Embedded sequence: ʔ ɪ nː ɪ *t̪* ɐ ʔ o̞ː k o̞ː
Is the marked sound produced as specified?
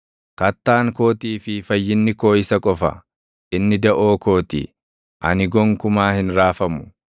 no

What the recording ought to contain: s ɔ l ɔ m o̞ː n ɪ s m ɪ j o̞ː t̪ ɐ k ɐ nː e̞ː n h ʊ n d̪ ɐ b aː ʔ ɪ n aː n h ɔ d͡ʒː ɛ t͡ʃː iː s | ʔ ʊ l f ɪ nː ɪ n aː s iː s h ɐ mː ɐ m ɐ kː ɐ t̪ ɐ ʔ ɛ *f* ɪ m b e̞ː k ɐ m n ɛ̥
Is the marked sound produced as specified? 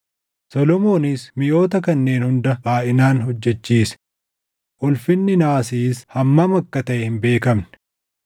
no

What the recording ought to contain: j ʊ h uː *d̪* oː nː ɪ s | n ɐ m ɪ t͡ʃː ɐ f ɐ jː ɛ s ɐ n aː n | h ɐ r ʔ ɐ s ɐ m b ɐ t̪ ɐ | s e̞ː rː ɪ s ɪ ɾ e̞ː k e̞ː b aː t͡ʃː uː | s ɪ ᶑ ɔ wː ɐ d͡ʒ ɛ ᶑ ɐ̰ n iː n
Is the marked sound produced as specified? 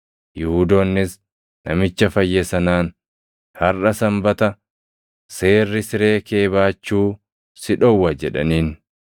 yes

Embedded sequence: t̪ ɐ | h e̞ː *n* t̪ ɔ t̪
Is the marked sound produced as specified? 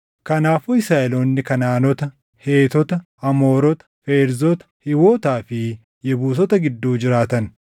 no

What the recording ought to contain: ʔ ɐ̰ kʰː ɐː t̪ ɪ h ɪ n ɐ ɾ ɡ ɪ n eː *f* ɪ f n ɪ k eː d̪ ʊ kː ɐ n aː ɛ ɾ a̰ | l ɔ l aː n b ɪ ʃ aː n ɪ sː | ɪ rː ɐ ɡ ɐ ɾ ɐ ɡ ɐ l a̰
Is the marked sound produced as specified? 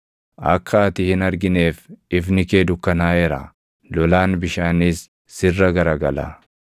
yes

